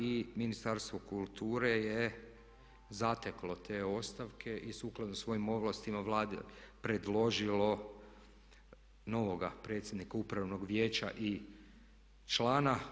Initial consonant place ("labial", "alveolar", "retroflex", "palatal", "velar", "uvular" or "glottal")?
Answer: labial